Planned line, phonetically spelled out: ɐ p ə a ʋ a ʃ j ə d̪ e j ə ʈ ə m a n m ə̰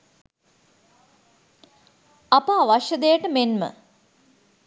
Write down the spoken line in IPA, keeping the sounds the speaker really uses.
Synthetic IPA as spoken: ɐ p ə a ʋ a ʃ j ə d̪ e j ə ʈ ə m e n m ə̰